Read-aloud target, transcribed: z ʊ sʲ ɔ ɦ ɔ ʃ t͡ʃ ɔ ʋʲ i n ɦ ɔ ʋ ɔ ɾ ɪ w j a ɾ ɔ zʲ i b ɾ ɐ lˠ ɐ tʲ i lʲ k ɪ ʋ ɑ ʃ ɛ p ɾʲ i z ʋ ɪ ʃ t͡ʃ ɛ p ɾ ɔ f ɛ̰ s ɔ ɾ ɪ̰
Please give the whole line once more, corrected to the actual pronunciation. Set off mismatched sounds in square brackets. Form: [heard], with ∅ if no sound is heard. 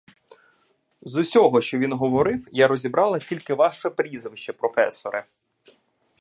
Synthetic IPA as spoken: z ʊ sʲ ɔ ɦ ɔ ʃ t͡ʃ ɔ ʋʲ i n ɦ ɔ ʋ ɔ ɾ ɪ w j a ɾ ɔ zʲ i b ɾ [ɑ] lˠ ɐ tʲ i lʲ k ɪ ʋ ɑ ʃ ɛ p ɾʲ i z ʋ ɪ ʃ t͡ʃ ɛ p ɾ ɔ f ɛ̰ s ɔ ɾ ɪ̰

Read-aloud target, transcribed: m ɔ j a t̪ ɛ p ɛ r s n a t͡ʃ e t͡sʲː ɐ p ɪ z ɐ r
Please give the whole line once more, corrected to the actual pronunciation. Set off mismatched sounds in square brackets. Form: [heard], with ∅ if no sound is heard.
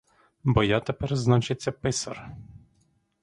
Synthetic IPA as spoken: [b] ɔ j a t̪ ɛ p ɛ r [z] n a t͡ʃ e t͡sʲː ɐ p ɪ [s] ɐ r

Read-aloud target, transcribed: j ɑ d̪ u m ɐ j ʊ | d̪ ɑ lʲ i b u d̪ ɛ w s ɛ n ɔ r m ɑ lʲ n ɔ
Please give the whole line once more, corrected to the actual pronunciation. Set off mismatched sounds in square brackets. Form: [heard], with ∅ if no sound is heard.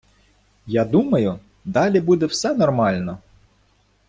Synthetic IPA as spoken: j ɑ d̪ u m ɐ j ʊ | d̪ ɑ lʲ i b u d̪ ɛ w s ɛ n ɔ r m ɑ lʲ n ɔ

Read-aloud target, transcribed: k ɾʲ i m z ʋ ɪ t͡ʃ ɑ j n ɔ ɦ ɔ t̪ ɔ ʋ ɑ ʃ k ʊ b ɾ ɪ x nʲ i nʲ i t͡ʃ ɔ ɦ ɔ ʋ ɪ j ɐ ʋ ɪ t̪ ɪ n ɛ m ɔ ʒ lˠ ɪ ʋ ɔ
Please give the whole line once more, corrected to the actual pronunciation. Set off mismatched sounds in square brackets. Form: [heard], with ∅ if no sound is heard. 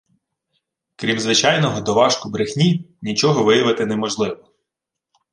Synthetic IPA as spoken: k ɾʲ i m z ʋ ɪ t͡ʃ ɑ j n ɔ ɦ ɔ [d̪] ɔ ʋ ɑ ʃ k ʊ b ɾ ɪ x nʲ i nʲ i t͡ʃ ɔ ɦ ɔ ʋ ɪ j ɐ ʋ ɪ t̪ ɪ n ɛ m ɔ ʒ lˠ ɪ ʋ ɔ

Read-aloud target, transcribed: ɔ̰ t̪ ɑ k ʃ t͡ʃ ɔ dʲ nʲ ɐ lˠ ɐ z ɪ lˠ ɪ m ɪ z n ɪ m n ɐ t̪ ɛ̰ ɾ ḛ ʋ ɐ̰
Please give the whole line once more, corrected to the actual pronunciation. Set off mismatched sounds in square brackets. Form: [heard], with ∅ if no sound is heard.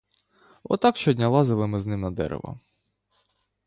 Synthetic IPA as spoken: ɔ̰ t̪ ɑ k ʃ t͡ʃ ɔ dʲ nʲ ɐ lˠ [ɑ] z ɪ lˠ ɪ m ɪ z n ɪ m n ɐ [d̪] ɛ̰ ɾ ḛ ʋ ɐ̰

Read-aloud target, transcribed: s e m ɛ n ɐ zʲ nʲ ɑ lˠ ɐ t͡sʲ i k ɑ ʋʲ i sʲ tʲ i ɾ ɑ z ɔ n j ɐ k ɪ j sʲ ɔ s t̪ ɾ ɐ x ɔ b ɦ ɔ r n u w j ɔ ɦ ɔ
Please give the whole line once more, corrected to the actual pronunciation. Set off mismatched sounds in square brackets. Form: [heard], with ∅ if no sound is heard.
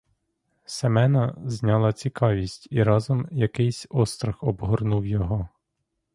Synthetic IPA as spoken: s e m ɛ n ɐ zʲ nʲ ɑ lˠ ɐ t͡sʲ i k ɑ ʋʲ i sʲ tʲ i ɾ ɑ z ɔ [m] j ɐ k ɪ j sʲ ɔ s t̪ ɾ ɐ x ɔ b ɦ ɔ r n u w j ɔ ɦ ɔ

